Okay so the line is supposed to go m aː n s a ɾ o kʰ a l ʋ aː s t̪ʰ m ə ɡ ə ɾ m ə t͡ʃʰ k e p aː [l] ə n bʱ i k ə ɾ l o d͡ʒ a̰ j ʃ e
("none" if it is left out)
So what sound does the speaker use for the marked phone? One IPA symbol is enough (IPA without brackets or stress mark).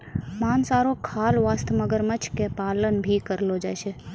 l